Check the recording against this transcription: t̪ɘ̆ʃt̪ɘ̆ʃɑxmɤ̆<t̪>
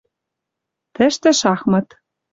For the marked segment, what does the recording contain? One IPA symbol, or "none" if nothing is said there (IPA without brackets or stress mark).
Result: t̪